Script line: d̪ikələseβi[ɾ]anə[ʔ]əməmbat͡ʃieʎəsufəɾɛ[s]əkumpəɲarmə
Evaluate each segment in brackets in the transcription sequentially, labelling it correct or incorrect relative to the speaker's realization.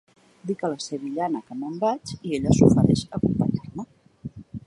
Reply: incorrect: ʎ, incorrect: k, incorrect: ʃ

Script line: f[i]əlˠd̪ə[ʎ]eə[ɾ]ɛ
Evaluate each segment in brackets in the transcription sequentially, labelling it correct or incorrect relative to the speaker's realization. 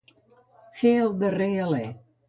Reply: incorrect: e, incorrect: r, incorrect: l

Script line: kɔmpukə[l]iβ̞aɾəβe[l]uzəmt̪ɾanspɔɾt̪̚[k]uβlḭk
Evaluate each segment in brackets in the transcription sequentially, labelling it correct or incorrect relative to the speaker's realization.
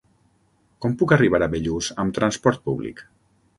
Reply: incorrect: r, incorrect: ʎ, incorrect: p

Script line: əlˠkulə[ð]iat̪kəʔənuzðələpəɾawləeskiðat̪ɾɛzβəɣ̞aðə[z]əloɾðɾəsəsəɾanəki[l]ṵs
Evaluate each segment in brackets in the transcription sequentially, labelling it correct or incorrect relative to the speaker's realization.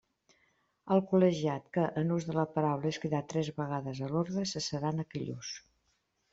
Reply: incorrect: ʒ, correct, incorrect: ʎ

